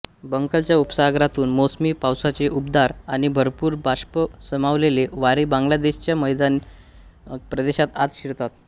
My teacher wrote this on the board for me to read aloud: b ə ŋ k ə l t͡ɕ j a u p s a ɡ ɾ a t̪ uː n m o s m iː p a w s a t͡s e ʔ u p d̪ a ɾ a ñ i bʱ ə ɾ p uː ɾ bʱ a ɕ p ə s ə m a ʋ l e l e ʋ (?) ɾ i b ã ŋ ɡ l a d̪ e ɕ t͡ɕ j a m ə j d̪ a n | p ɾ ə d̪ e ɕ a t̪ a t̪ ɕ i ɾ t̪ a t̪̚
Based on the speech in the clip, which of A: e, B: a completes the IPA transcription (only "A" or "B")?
B